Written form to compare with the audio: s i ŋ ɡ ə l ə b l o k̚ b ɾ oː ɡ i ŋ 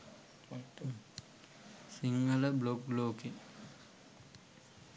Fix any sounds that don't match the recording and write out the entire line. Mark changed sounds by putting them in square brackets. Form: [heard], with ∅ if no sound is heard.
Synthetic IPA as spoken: s i ŋ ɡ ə l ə b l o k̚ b [l] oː [k] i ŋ